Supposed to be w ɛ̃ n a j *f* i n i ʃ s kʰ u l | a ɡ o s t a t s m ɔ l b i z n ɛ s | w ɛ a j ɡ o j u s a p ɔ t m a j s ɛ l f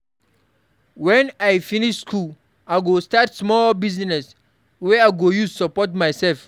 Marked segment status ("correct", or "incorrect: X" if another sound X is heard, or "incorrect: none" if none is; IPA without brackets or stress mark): correct